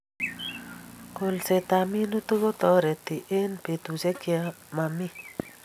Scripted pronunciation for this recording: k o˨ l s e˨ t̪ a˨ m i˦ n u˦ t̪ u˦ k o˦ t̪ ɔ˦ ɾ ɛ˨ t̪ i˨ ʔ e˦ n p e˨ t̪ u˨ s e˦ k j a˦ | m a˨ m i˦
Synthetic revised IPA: k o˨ l s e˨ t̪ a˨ m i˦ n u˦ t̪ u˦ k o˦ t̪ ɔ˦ ɾ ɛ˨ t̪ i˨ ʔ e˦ n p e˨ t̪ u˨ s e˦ k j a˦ | m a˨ m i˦